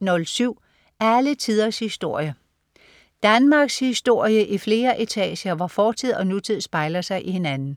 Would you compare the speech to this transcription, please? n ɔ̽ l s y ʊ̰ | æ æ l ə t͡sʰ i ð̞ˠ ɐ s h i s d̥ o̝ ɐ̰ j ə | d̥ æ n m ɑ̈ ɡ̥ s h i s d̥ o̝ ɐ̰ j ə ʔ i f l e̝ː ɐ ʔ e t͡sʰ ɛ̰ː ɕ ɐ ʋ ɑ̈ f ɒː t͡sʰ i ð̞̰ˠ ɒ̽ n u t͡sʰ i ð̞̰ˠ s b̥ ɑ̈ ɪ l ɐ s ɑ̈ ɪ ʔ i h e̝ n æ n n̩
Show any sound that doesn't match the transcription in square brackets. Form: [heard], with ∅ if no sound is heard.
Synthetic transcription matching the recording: n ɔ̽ l s y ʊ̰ | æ æ l ə t͡sʰ i ð̞ˠ ɐ s h i s d̥ o̝ ɐ̰ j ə | d̥ æ n m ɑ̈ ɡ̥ s h i s d̥ o̝ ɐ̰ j ə ʔ i f l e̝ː ɐ ʔ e t͡sʰ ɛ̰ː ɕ ɐ ʋ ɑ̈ f ɒː t͡sʰ i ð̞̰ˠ ɒ̽ n u t͡sʰ i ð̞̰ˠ s b̥ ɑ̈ ɪ l ɐ s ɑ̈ ɪ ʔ i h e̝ n æ n n̩

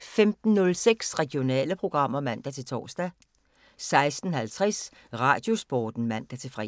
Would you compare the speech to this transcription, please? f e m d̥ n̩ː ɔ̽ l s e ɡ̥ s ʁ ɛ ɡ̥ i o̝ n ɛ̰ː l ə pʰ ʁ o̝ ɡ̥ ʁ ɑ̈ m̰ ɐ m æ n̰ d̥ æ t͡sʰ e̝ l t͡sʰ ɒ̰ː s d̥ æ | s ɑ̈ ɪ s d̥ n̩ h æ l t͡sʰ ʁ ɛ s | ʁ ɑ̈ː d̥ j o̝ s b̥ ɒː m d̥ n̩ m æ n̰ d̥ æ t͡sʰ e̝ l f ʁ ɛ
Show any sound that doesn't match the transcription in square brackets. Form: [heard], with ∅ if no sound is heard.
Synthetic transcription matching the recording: f e m d̥ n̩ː ɔ̽ l s e ɡ̥ s ʁ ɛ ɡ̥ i o̝ n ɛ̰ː l ə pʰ ʁ o̝ ɡ̥ ʁ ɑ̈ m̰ ɐ m æ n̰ d̥ æ t͡sʰ e̝ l t͡sʰ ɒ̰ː s d̥ æ | s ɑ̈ ɪ s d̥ n̩ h æ l t͡sʰ ʁ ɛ s | ʁ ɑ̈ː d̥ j o̝ s b̥ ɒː [∅] d̥ n̩ m æ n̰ d̥ æ t͡sʰ e̝ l f ʁ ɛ

